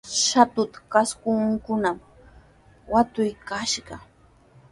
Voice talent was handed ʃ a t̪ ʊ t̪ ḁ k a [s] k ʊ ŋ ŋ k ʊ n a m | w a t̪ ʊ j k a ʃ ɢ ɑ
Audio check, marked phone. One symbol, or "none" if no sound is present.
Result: s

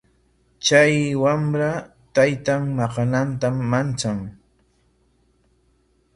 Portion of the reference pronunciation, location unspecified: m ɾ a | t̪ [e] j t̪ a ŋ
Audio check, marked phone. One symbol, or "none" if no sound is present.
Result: a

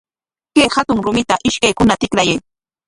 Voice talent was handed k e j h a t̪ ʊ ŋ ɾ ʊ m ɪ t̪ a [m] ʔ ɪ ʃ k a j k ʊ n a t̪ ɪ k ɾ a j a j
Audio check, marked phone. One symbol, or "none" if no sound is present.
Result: none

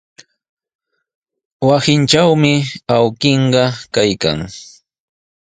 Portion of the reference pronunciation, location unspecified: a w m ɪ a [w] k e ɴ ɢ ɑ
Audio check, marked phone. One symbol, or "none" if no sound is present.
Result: w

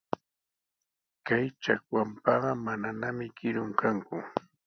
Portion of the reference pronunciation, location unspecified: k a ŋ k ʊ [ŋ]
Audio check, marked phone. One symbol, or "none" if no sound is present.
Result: none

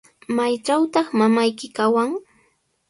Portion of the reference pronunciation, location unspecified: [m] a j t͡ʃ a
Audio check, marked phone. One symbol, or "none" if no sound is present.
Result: m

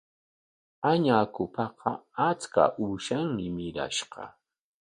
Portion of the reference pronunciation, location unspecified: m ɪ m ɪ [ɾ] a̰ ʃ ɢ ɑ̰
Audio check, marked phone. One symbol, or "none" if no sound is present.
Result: ɾ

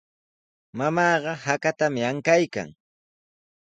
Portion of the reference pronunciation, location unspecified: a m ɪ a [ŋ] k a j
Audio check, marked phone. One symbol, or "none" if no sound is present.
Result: ŋ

